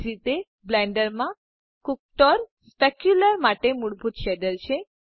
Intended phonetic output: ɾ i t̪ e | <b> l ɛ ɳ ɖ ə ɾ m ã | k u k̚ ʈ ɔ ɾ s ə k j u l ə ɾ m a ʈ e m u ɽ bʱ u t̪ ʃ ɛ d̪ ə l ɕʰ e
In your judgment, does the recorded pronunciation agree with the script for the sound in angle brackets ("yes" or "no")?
yes